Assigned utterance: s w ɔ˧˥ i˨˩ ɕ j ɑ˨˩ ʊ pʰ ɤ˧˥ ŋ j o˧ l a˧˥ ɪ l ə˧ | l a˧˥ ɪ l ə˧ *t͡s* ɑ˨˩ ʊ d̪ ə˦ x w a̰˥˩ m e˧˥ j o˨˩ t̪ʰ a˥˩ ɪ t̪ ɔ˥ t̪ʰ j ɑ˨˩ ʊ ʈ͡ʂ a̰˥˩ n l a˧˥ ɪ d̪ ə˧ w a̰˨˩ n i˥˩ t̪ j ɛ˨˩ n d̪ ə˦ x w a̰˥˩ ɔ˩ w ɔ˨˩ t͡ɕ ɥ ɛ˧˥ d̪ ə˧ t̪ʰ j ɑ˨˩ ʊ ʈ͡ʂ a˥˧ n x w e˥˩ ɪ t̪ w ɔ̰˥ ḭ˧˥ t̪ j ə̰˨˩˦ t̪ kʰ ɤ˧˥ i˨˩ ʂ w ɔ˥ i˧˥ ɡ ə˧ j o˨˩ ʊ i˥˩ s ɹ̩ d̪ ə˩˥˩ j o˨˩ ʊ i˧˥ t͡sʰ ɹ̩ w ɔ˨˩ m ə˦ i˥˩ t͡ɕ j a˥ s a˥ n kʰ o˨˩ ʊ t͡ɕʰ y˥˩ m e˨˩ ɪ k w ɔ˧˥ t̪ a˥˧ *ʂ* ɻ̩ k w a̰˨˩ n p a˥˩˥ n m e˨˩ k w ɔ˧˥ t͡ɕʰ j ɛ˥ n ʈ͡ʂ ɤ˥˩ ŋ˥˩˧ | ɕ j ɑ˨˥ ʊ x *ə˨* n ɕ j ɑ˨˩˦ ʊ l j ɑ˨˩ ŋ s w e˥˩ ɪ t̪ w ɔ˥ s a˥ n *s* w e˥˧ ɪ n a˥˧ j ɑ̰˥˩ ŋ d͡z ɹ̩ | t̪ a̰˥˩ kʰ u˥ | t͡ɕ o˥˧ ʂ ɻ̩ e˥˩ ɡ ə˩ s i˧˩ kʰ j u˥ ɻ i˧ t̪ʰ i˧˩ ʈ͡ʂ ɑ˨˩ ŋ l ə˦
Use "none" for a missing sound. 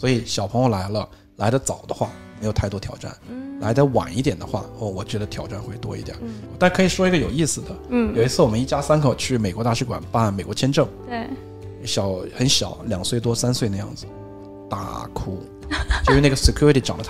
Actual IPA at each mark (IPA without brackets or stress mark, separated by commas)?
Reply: t͡s, ʂ, ə˧˥, s